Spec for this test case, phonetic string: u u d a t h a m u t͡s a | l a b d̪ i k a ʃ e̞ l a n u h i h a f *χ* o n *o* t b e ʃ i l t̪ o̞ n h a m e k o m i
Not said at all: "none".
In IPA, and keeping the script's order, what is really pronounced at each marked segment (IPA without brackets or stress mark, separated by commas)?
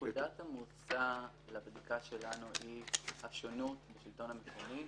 ʃ, u